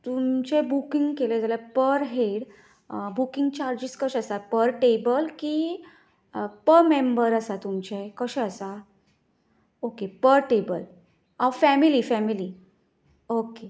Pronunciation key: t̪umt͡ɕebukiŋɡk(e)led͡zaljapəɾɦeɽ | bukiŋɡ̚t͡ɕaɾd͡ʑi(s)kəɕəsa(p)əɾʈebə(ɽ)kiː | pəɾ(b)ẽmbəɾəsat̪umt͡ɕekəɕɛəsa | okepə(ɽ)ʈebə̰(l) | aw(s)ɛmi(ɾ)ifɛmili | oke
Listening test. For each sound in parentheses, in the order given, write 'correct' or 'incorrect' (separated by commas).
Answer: correct, correct, correct, incorrect, incorrect, incorrect, correct, incorrect, incorrect